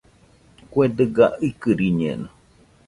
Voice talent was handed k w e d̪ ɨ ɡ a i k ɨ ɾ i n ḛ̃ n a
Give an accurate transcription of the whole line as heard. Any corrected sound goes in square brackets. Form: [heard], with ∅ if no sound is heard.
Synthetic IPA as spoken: k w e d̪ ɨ ɡ a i k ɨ ɾ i [ɲ] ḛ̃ n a